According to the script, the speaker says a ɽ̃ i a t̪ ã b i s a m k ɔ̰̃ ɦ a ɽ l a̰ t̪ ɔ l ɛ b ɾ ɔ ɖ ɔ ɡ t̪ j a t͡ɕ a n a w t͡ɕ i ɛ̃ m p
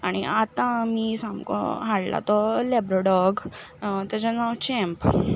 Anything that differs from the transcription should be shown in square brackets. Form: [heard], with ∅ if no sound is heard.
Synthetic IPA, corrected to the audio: a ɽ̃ i a t̪ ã [m] i s a m k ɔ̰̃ ɦ a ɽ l a̰ t̪ ɔ l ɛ b ɾ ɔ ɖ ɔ ɡ t̪ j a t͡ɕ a n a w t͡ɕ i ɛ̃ m p